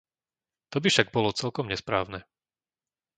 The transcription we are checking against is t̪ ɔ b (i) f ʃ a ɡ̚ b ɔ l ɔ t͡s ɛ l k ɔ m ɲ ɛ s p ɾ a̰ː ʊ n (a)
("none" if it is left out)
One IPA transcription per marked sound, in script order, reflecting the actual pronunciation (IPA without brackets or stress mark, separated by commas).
i, ɛ